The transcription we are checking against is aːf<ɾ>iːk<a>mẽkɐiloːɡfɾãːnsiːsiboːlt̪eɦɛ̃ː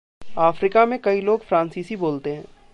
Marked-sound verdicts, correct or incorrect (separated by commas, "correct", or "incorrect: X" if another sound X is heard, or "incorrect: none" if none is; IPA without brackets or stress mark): correct, correct